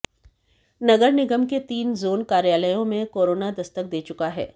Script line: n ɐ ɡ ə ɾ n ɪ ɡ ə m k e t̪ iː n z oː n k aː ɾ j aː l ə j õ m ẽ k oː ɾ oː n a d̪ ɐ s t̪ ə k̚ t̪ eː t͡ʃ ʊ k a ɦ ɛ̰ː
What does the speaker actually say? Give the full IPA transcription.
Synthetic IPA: n ɐ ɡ ə ɾ n ɪ ɡ ə m k e t̪ iː n z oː n k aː ɾ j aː l ə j õ m ẽ k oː ɾ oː n a d̪ ɐ s t̪ ə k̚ d̪ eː t͡ʃ ʊ k a ɦ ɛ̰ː